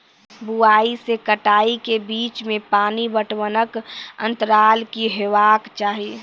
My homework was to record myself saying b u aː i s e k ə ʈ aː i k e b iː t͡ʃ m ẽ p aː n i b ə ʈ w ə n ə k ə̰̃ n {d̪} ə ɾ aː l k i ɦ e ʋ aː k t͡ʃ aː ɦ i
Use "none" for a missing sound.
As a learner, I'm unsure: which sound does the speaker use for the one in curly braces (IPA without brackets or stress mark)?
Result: t̪